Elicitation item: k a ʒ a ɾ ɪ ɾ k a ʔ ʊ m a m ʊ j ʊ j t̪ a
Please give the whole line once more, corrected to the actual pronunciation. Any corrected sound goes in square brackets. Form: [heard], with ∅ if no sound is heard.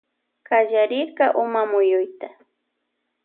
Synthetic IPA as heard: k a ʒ a ɾ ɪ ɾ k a ʔ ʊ m a m ʊ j ʊ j t̪ a